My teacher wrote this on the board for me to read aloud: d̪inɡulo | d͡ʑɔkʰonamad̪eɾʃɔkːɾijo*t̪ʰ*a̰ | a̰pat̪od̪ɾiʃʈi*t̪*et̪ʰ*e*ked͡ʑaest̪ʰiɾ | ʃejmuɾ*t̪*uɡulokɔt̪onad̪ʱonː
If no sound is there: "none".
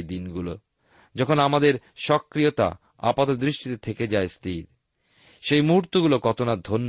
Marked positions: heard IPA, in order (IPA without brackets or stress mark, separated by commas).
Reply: t̪, t̪, e, t̪